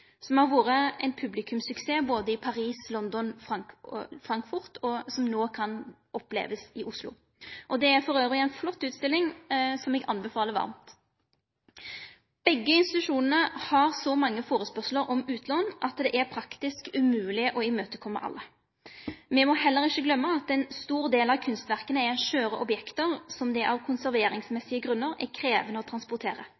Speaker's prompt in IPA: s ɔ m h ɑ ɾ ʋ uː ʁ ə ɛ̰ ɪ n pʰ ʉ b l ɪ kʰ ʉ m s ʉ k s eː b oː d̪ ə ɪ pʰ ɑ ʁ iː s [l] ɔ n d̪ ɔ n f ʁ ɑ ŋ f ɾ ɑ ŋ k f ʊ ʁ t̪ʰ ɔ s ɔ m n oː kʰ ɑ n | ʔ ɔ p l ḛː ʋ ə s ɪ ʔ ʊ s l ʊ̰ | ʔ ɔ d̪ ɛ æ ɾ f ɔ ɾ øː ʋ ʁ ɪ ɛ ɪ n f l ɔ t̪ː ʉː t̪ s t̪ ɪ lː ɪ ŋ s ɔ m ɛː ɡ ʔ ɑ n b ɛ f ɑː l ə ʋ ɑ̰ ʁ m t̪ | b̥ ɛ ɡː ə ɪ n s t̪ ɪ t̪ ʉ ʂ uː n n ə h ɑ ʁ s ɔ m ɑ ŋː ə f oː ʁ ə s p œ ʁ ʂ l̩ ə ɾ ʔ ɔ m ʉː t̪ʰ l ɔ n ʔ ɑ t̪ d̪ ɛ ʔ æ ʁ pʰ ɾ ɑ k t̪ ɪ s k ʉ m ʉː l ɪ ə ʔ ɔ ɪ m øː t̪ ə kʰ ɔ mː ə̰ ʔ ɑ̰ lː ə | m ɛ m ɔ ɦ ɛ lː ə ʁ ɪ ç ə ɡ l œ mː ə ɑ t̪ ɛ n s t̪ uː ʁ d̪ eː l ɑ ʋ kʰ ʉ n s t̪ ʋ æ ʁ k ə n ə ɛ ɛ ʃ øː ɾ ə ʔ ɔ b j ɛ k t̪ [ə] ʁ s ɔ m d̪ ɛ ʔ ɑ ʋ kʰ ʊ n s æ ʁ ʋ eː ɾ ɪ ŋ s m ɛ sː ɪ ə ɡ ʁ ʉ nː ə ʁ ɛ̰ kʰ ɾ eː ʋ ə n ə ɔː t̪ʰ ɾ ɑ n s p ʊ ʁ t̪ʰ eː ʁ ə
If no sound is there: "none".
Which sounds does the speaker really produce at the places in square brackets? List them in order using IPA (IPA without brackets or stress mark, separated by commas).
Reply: l, ə